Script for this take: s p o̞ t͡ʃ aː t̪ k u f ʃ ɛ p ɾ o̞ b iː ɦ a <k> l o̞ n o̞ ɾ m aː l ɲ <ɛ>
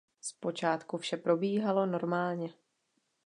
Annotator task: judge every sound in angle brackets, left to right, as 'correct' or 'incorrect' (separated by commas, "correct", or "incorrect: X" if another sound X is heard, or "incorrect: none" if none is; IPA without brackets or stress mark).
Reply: incorrect: none, correct